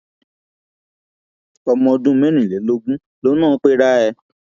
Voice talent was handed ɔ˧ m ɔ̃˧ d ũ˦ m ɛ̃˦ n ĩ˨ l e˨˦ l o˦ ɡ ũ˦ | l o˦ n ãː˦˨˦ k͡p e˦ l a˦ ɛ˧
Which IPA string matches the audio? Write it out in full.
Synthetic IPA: ɔ˧ m ɔ̃˧ d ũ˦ m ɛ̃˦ n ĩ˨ l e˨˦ l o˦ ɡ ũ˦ | l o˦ n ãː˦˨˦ k͡p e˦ ɾ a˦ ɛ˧